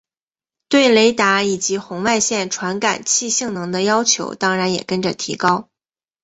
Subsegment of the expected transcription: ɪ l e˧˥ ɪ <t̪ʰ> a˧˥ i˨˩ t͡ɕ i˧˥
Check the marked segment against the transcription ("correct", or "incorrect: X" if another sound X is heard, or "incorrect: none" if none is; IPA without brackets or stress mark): incorrect: t̪